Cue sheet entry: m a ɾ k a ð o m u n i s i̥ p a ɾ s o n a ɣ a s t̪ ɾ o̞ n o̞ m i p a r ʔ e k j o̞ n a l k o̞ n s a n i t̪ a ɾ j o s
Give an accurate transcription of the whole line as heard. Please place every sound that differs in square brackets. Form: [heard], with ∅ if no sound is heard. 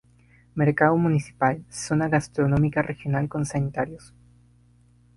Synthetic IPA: m [e] ɾ k a ð o m u n i s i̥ p a [l] s o n a ɣ a s t̪ ɾ o̞ n o̞ m i [k] a r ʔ e [x] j o̞ n a l k o̞ n s a n i t̪ a ɾ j o s